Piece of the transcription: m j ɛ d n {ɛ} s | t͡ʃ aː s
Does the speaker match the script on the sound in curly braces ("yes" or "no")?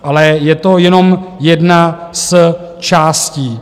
no